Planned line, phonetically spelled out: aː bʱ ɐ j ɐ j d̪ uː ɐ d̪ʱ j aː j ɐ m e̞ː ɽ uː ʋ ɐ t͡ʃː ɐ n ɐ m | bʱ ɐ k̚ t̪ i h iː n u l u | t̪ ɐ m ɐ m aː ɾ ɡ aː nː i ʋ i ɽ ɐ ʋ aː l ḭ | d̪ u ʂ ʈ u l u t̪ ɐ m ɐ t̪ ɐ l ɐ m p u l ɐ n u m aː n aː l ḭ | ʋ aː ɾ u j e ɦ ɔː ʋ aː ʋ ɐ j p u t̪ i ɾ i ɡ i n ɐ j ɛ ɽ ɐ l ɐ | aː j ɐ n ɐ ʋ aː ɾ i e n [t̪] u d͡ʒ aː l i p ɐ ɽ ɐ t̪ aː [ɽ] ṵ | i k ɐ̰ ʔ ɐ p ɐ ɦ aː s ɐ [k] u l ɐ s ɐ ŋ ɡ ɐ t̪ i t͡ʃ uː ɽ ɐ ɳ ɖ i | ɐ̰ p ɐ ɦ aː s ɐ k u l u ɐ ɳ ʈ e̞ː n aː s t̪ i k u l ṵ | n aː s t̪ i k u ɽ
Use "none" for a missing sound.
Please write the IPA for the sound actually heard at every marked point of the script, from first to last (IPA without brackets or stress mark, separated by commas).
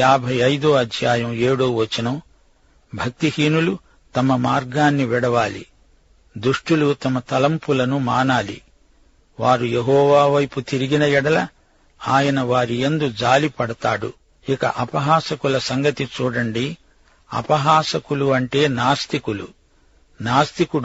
d̪, ɽ, k